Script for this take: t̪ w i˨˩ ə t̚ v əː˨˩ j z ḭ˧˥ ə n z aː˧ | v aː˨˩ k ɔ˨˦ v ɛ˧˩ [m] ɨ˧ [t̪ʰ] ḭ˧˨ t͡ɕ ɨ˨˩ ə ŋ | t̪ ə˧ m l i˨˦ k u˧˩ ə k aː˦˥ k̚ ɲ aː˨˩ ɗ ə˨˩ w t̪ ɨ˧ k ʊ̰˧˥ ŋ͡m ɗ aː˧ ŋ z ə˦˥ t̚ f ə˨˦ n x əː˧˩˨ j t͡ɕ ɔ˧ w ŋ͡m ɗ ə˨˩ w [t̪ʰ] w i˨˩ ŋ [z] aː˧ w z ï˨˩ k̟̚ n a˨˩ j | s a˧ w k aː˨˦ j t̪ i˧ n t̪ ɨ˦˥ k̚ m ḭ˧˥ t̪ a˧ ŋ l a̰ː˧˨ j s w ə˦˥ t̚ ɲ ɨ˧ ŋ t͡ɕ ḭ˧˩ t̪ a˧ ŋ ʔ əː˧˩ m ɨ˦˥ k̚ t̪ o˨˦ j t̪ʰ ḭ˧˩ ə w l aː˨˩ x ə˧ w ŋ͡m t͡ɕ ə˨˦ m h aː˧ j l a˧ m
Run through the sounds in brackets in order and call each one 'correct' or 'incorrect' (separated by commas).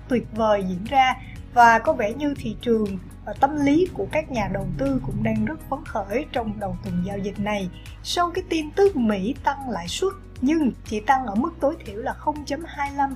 incorrect, correct, incorrect, correct